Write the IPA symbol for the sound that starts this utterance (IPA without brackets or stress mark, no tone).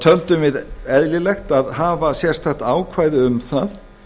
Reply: t̪ʰ